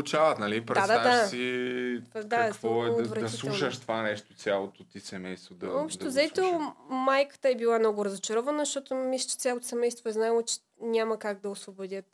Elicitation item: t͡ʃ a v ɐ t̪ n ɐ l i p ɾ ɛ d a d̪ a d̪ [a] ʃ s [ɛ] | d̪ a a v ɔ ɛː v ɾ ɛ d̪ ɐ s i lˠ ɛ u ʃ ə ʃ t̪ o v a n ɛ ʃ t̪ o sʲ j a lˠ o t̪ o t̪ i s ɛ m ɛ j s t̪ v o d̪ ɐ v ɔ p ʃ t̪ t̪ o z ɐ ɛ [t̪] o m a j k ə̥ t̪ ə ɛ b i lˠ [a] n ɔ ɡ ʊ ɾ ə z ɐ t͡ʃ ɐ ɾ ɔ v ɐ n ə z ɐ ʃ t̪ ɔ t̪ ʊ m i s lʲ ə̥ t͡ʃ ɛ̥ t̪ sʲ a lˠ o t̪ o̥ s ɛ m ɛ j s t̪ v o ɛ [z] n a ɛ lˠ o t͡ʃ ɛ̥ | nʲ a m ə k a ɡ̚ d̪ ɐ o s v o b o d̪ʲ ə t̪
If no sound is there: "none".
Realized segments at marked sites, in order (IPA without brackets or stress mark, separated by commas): a, i, t̪, a, z